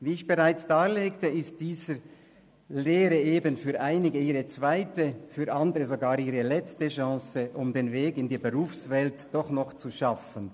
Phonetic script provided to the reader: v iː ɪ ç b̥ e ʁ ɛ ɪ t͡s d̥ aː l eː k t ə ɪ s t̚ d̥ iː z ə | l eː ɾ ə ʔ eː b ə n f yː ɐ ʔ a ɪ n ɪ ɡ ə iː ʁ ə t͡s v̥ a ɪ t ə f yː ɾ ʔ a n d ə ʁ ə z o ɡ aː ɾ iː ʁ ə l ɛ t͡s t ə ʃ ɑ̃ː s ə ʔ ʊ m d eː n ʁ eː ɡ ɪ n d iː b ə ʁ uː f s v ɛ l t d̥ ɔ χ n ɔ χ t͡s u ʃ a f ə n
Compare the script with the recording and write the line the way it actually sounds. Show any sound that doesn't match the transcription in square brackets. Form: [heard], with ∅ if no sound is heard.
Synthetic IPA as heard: v iː ɪ ç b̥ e ʁ [a] ɪ t͡s d̥ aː l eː k t ə ɪ s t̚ d̥ iː z ə | l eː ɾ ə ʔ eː b ə n f yː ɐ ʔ a ɪ n ɪ ɡ ə iː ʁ ə t͡s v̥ a ɪ t ə f yː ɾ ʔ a n d ə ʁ ə z o ɡ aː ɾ iː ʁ ə l ɛ t͡s t ə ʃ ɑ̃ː s ə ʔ ʊ m d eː n [v] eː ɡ ɪ n d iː b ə ʁ uː f s v ɛ l t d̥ ɔ χ n ɔ χ t͡s u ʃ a f ə n

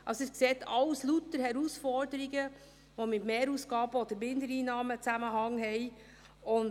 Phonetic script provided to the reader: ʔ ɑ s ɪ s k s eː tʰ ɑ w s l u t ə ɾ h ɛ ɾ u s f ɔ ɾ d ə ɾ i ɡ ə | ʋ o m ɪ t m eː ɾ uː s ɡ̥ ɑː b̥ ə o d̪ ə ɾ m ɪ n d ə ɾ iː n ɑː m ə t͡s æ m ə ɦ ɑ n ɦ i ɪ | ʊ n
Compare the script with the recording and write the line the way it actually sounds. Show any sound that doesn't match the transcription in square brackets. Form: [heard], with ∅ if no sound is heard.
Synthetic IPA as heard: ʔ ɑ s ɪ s k s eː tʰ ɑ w s l u t ə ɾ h ɛ ɾ u s f ɔ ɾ d ə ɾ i ɡ ə | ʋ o m ɪ t m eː ɾ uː s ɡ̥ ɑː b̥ ə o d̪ ə ɾ m ɪ n d ə ɾ iː n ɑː m ə t͡s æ m ə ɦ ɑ [ŋ] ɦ [ɛ] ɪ | ʊ n

